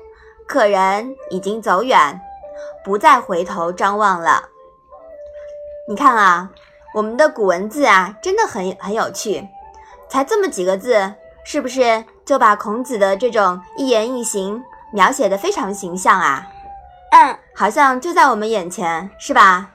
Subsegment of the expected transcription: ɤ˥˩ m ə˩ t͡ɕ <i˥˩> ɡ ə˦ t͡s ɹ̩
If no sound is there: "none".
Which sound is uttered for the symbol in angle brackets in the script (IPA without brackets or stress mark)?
i˨˩